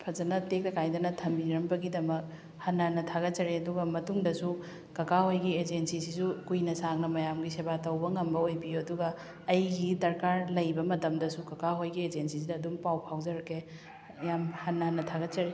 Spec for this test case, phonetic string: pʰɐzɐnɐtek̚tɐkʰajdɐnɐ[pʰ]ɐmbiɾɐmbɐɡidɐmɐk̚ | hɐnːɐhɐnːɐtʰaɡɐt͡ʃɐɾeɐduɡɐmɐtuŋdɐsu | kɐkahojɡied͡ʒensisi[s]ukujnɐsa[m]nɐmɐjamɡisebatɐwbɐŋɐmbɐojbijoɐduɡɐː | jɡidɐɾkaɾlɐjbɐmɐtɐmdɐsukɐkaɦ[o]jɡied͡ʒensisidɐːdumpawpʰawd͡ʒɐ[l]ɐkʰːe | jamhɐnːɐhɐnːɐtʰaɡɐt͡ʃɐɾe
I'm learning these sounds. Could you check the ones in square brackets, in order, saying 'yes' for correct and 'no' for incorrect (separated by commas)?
no, yes, no, yes, no